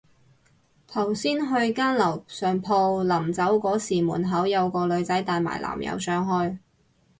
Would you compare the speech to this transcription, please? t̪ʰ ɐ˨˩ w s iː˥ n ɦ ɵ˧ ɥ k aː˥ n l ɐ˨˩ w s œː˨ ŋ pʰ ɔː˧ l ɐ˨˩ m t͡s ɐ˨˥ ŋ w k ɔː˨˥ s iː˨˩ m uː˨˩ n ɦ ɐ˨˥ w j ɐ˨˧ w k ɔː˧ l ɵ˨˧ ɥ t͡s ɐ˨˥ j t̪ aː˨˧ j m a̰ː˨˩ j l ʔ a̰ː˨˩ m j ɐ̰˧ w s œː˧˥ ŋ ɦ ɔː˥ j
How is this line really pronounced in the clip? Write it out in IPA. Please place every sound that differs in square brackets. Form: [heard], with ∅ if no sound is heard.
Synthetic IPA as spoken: t̪ʰ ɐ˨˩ w s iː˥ n ɦ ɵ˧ ɥ k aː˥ n l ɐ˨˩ w s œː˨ ŋ pʰ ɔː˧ l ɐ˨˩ m t͡s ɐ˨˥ [∅] w k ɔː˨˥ s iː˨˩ m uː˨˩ n ɦ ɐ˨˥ w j ɐ˨˧ w k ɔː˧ l ɵ˨˧ ɥ t͡s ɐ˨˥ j t̪ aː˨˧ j m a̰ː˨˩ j l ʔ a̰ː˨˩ m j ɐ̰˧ w s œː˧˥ ŋ ɦ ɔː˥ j